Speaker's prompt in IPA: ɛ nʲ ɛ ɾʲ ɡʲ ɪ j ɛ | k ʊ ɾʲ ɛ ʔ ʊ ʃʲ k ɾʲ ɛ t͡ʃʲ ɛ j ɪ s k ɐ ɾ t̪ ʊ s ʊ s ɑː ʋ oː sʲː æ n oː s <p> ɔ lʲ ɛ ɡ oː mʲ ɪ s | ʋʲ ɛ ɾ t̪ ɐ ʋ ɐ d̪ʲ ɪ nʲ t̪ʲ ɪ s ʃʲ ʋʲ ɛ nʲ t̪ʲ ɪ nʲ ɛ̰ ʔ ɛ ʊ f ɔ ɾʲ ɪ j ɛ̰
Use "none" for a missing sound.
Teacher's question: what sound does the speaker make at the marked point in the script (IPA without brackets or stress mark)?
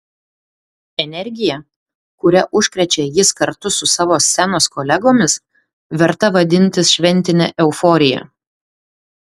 k